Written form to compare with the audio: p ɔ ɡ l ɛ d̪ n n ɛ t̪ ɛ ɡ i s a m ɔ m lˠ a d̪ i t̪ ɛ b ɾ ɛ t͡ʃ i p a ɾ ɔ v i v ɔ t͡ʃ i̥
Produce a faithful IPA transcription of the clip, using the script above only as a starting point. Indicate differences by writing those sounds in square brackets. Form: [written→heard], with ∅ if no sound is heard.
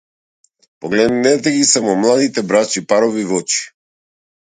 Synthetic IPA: p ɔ ɡ l ɛ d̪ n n ɛ t̪ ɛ ɡ i s a m ɔ m lˠ a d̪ i t̪ ɛ b ɾ [ɛ→a] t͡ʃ i p a ɾ ɔ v i v ɔ t͡ʃ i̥

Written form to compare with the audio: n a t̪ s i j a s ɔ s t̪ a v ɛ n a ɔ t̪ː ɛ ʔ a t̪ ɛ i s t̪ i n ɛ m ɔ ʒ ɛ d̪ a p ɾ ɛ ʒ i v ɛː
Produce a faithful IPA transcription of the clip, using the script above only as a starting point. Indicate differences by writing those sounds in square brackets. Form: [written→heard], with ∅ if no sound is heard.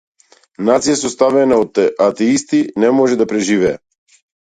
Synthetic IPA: n a t̪ s i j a s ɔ s t̪ a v ɛ n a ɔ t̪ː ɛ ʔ a t̪ ɛ i s t̪ i n ɛ m ɔ ʒ ɛ d̪ a p ɾ ɛ ʒ i v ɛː

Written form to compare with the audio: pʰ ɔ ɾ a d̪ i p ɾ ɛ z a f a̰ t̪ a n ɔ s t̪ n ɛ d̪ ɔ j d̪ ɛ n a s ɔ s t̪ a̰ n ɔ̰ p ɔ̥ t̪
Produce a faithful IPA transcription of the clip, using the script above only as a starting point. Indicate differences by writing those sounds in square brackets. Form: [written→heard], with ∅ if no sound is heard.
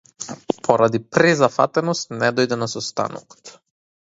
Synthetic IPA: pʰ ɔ ɾ a d̪ i p ɾ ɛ z a f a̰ t̪ [a→ɛ] n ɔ s t̪ n ɛ d̪ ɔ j d̪ ɛ n a s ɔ s t̪ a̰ n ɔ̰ [p→k] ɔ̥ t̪

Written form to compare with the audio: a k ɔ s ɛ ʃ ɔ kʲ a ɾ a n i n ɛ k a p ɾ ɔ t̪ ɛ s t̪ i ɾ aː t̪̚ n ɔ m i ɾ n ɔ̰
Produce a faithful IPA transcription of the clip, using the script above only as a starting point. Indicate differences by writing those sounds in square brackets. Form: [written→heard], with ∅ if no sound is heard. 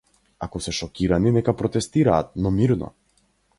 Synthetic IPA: a k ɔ s ɛ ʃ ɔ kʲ [a→i] ɾ a n i n ɛ k a p ɾ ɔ t̪ ɛ s t̪ i ɾ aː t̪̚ n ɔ m i ɾ n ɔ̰

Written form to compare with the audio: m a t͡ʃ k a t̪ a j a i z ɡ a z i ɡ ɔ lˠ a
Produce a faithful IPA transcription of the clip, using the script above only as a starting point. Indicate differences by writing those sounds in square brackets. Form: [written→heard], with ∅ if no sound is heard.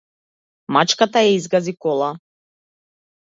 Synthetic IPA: m a t͡ʃ k a t̪ a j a i z ɡ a z i [ɡ→k] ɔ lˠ a

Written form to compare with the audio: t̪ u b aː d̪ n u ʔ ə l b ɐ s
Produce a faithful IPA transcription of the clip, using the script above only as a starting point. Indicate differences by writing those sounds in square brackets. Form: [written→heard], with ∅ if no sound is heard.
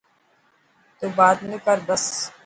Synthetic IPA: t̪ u b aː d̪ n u [ʔ→k] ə [l→ɾ] b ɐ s

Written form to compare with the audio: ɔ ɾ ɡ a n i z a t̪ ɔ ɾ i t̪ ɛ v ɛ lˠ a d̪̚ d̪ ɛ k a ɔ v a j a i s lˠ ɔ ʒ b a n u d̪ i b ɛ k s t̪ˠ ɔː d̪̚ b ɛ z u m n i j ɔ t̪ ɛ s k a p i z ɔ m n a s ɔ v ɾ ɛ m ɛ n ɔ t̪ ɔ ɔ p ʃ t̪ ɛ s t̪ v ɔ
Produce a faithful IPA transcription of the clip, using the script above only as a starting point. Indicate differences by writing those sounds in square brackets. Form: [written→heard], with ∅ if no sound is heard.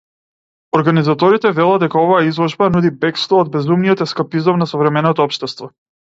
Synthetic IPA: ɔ ɾ ɡ a n i z a t̪ ɔ ɾ i t̪ ɛ v ɛ lˠ a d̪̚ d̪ ɛ k a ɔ v a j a i [s→z] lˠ ɔ ʒ b a n u d̪ i b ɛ k s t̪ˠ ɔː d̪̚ b ɛ z u m n i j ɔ t̪ ɛ s k a p i z ɔ m n a s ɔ v ɾ ɛ m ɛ n ɔ t̪ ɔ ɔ p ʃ t̪ ɛ s t̪ v ɔ

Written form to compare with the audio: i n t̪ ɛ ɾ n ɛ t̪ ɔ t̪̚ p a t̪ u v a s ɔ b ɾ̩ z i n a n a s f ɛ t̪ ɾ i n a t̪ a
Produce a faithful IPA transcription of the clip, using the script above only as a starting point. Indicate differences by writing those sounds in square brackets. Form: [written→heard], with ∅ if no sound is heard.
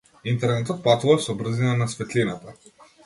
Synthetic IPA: i n t̪ ɛ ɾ n ɛ t̪ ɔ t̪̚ p a t̪ u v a s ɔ b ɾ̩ z i n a n a s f ɛ t̪ [ɾ→l] i n a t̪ a

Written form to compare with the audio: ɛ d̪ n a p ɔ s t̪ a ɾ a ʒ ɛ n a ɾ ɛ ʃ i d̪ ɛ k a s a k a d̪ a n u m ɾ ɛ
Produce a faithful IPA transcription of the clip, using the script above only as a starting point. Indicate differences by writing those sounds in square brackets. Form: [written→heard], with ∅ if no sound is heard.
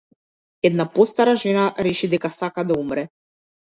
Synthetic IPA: ɛ d̪ n a p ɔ s t̪ a ɾ a ʒ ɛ n a ɾ ɛ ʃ i d̪ ɛ k a s a k a d̪ a [n→∅] u m ɾ ɛ

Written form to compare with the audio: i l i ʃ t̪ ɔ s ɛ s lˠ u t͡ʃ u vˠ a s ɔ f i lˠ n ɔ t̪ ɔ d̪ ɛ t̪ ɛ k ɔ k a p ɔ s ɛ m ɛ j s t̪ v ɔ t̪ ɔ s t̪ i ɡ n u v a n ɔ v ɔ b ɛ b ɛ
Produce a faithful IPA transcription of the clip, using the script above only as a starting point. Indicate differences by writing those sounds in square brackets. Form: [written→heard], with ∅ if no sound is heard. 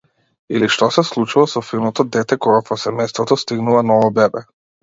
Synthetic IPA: i l i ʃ t̪ ɔ s ɛ s lˠ u t͡ʃ u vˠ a s ɔ f i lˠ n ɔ t̪ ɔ d̪ ɛ t̪ ɛ k ɔ [k→ɡ] a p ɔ s ɛ m ɛ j s t̪ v ɔ t̪ ɔ s t̪ i ɡ n u v a n ɔ v ɔ b ɛ b ɛ

